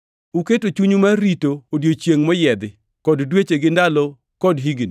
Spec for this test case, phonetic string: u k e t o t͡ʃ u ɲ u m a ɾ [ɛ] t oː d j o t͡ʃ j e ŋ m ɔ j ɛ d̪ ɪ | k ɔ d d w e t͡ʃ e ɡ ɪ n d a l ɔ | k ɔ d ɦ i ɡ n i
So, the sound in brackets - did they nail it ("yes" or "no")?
no